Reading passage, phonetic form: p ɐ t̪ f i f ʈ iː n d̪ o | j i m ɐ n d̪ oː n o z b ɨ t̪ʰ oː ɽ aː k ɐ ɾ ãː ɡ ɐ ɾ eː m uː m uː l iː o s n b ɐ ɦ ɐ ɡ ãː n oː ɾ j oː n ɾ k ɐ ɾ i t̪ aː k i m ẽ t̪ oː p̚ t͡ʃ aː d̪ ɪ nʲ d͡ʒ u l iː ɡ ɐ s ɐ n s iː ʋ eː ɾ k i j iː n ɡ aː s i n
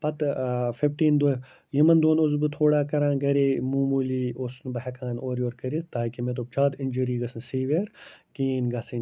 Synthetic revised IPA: p ɐ t̪ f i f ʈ iː n d̪ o | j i m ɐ n d̪ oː n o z b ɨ t̪ʰ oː ɽ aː k ɐ ɾ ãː ɡ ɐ ɾ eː m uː m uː l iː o s n b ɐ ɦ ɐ k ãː n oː ɾ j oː ɾ k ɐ ɾ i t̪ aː k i m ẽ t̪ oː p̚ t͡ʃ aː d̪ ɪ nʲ d͡ʒ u ɾ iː ɡ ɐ s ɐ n s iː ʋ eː ɾ k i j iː n ɡ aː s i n